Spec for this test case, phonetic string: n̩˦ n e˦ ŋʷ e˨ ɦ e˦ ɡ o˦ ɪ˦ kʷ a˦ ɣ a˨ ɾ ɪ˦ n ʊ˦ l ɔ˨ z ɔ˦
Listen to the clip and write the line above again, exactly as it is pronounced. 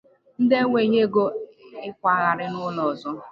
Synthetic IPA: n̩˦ d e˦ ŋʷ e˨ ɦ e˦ ɡ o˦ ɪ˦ kʷ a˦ ɣ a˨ ɾ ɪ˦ n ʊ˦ l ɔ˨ z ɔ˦